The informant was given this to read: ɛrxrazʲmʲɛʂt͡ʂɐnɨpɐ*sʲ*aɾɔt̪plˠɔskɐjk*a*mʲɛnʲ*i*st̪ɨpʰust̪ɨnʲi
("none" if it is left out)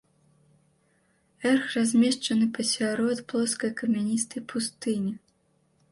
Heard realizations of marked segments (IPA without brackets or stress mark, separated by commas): sʲ, ɐ, i